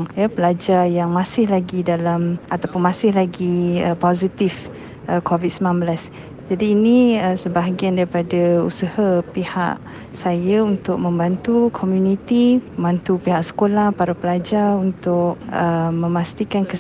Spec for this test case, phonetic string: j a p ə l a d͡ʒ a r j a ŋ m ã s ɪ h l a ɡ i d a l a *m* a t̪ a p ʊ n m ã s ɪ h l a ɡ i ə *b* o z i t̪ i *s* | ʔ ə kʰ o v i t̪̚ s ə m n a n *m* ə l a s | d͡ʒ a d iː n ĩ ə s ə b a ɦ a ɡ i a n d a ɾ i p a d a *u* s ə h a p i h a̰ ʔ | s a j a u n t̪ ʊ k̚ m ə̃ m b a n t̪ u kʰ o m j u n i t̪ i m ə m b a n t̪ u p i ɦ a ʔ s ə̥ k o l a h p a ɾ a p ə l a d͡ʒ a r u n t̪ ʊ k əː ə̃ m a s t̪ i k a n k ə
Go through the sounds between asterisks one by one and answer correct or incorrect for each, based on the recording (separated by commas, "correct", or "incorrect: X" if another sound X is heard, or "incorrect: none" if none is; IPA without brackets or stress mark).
correct, incorrect: p, incorrect: f, incorrect: b, correct